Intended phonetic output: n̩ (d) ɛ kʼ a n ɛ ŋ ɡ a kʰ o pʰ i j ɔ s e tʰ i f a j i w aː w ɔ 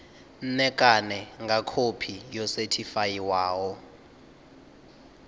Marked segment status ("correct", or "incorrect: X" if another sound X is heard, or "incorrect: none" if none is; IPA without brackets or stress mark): incorrect: n